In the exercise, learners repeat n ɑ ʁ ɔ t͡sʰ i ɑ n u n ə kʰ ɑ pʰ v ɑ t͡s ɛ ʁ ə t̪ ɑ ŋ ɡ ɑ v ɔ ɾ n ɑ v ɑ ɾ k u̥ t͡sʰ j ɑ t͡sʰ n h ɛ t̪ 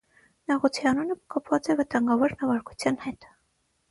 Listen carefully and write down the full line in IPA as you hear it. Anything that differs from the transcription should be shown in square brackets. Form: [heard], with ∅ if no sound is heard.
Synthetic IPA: n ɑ ʁ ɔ t͡sʰ i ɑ n u n ə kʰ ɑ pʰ v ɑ t͡s ɛ [v] ə t̪ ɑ ŋ ɡ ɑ v ɔ ɾ n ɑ v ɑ ɾ k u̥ t͡sʰ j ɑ [∅] n h ɛ t̪